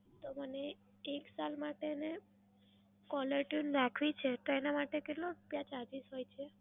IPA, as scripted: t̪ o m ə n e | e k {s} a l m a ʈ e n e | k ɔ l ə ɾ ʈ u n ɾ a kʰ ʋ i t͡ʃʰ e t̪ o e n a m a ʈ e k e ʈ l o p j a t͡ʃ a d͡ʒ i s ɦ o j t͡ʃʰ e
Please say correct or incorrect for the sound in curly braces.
correct